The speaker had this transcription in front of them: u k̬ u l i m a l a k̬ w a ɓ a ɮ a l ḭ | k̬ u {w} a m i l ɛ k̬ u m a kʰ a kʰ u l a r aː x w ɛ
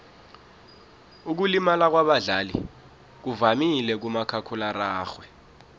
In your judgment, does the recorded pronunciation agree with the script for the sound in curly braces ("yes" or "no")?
no